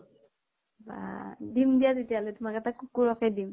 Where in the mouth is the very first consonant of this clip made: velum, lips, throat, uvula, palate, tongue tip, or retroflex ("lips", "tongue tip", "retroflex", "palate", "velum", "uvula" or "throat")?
lips